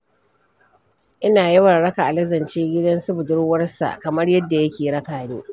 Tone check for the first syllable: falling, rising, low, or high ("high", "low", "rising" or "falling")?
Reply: high